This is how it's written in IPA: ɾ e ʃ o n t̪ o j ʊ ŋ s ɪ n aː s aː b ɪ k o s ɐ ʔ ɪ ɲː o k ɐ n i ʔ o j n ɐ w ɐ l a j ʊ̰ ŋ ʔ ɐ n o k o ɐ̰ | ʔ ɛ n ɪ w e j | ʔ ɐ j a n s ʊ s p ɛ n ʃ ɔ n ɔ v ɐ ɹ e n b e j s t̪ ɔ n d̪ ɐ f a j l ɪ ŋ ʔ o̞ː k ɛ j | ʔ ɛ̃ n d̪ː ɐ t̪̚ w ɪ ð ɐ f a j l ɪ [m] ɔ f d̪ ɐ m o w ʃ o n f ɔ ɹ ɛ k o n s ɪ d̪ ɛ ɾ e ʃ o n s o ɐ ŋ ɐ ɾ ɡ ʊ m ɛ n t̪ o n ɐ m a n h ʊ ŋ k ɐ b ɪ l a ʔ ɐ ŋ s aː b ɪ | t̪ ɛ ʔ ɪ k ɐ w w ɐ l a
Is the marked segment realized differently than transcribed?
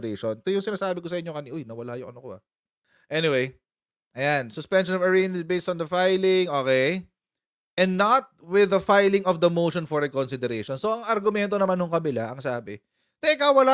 yes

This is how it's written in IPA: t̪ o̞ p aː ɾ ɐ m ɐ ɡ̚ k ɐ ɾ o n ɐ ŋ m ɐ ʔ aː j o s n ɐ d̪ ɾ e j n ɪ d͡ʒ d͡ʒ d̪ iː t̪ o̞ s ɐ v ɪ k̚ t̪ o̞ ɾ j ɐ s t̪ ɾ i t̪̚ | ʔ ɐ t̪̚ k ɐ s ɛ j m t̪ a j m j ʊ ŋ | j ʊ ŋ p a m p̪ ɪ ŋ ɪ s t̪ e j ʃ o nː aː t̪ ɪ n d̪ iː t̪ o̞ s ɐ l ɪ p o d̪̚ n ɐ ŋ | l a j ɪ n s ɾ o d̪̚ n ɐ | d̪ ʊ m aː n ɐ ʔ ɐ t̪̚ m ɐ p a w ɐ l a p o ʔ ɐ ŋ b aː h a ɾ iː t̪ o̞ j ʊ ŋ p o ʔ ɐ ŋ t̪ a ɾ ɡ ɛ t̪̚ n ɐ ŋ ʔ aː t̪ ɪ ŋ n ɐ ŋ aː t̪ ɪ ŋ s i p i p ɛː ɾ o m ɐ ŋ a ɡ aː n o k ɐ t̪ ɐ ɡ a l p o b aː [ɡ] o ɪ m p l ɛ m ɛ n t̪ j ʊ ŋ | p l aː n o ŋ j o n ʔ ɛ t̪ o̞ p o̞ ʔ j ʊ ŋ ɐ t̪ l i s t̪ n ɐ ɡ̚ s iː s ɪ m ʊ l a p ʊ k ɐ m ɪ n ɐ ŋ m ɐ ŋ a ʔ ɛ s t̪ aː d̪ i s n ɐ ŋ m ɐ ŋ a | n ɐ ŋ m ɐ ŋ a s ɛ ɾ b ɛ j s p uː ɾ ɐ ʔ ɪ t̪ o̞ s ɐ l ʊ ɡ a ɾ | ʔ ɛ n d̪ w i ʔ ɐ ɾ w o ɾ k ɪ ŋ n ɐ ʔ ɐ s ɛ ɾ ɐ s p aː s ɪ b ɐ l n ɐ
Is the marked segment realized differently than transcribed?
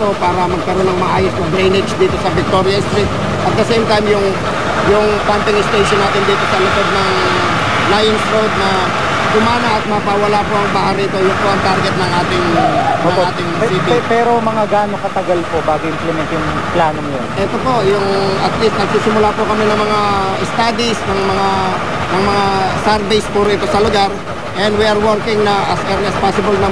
no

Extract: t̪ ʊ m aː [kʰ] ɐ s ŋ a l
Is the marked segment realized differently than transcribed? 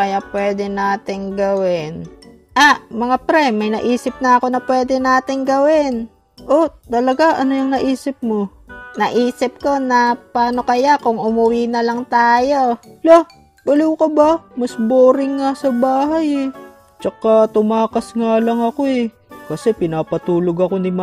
yes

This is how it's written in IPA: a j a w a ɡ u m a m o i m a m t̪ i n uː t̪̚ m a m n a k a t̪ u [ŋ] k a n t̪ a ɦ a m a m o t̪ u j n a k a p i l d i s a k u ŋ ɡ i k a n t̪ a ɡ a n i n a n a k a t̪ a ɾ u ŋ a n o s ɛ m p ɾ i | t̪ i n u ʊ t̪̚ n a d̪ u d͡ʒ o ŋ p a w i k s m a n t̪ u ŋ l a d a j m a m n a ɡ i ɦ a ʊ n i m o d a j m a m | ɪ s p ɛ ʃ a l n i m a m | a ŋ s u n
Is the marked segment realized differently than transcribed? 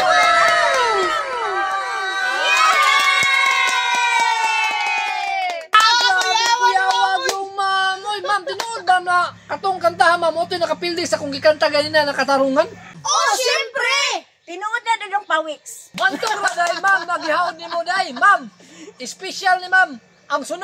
no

